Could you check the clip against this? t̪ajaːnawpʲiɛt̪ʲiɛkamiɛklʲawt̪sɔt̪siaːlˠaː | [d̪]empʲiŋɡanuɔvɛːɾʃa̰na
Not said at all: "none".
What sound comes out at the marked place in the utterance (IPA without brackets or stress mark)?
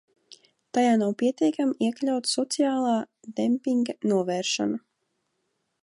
d̪